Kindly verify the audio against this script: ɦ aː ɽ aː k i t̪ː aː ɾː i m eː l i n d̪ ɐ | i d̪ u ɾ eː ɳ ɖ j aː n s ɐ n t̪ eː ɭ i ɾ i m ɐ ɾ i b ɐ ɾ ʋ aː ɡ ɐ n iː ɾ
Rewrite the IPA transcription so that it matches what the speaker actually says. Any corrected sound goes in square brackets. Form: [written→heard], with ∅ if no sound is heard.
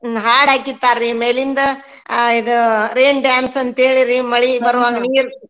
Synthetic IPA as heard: ɦ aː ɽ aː k i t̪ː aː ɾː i m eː l i n d̪ ɐ | i d̪ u ɾ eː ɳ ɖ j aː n s ɐ n t̪ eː ɭ i ɾ i m ɐ [ɾ→ɭ] i b ɐ ɾ ʋ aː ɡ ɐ n iː ɾ